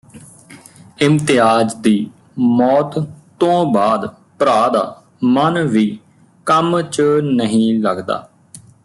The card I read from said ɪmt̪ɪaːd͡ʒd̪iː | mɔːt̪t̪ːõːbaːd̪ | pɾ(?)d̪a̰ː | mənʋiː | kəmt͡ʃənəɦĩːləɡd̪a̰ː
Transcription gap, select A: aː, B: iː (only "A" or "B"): A